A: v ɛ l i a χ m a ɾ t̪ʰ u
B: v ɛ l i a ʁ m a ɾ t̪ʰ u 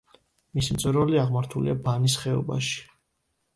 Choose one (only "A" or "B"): B